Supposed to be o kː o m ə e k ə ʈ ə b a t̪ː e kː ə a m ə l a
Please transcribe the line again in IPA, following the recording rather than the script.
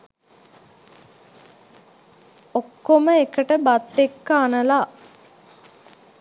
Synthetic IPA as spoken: o kː o m ə e k ə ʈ ə b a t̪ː e kː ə a n ə l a